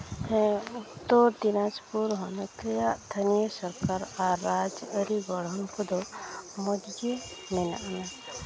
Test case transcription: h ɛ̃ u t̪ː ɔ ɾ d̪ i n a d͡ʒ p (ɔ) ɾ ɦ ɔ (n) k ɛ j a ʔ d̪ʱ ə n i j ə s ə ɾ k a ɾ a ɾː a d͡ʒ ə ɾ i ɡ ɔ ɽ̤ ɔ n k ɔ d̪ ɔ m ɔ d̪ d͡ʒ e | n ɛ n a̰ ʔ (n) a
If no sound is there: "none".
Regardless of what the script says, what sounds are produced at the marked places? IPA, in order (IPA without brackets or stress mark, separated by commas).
u, n, n